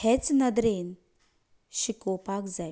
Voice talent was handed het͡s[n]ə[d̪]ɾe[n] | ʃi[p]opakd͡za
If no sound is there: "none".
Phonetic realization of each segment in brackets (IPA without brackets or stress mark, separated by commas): n, d̪, n, k